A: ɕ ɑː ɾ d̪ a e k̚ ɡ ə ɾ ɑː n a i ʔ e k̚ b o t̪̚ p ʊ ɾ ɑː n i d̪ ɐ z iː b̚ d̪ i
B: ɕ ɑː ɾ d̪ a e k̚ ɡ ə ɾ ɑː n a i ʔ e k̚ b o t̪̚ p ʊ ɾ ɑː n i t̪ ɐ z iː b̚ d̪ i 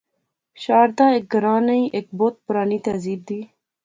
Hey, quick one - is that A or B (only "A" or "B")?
B